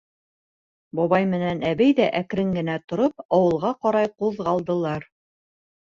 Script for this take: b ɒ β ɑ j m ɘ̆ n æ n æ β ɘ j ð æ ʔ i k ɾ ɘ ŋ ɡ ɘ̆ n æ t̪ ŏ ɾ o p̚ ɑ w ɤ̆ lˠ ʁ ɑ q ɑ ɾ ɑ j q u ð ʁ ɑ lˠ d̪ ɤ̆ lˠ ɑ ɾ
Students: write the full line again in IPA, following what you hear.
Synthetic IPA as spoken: b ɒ β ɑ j m ɘ̆ n æ n æ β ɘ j ð æ ʔ æ k ɾ ɘ ŋ ɡ ɘ̆ n æ t̪ ŏ ɾ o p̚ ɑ w ɤ̆ lˠ ʁ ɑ q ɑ ɾ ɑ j q u ð ʁ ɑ lˠ d̪ ɤ̆ lˠ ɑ ɾ